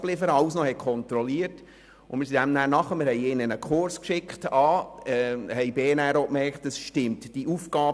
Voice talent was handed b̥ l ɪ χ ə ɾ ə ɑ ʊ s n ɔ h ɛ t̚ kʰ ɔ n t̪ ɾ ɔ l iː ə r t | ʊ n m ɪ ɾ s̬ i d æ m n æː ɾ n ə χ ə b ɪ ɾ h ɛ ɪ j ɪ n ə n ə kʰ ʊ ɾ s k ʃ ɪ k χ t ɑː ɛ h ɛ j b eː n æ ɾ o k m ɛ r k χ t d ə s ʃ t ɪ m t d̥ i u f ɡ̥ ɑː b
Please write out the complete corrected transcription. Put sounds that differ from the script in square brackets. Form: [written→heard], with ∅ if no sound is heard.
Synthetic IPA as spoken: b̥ l ɪ [χ→f] ə ɾ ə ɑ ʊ s n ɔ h ɛ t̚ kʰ ɔ n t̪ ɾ ɔ l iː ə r t | ʊ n m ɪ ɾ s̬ i d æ m n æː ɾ n [ə→ɑ] χ ə [b→m] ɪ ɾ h ɛ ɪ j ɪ n ə n ə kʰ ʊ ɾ s k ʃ ɪ k χ t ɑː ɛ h ɛ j b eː n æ ɾ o k m ɛ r k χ t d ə s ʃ t ɪ m t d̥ i u f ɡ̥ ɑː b